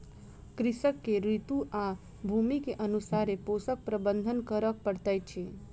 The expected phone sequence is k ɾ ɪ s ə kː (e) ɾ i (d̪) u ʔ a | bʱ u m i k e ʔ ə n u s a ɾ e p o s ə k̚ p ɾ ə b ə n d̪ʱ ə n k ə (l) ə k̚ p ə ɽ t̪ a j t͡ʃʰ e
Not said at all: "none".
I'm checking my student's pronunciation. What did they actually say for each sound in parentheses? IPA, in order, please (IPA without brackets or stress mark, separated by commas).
e, t̪, ɾ